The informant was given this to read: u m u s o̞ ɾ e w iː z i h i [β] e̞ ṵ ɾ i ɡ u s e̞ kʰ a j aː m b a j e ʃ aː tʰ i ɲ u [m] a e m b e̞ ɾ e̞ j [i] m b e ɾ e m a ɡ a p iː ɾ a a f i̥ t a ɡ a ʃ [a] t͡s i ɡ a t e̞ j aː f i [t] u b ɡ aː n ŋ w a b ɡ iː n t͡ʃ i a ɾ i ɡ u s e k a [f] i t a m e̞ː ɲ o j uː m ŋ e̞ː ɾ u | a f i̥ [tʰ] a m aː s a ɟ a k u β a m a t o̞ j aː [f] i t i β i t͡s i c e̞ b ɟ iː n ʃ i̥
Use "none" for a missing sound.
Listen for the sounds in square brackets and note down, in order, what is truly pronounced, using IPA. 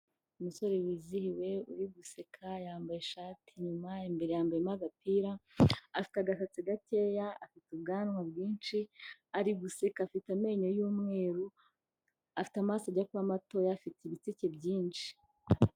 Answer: w, m, a, a, t, f, t, f

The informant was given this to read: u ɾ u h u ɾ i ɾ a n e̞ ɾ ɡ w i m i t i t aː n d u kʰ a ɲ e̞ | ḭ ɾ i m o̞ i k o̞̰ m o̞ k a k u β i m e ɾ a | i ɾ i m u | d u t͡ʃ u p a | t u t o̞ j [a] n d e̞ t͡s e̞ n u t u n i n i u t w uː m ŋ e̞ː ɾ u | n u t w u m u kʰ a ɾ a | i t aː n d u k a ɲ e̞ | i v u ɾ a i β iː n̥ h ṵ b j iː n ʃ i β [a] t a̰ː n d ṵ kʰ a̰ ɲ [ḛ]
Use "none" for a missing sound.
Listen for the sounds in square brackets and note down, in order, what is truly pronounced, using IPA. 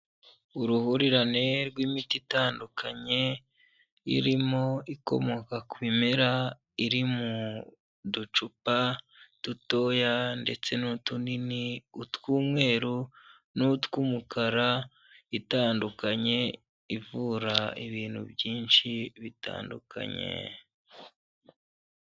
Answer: a, i, ḛ

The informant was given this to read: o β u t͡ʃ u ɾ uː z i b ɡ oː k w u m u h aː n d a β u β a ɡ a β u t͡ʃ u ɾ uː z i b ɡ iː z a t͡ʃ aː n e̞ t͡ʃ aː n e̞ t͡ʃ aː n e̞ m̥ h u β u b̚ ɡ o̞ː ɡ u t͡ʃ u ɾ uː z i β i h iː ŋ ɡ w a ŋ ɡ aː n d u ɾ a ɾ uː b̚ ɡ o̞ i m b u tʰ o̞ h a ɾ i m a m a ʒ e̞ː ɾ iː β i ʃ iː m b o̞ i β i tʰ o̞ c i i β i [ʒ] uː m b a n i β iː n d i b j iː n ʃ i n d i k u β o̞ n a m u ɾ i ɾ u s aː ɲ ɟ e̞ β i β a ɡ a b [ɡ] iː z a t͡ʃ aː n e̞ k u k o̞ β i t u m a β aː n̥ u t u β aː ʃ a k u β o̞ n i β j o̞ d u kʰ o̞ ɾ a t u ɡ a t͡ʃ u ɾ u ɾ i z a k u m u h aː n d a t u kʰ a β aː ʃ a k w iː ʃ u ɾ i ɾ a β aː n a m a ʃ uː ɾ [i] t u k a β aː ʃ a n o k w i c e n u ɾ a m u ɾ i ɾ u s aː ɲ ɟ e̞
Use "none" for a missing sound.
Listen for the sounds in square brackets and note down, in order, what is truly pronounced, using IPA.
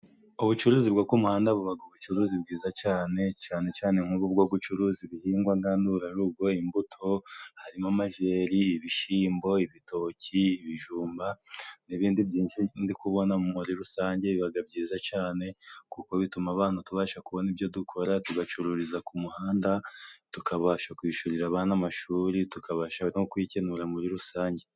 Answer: ʒ, ɟ, i

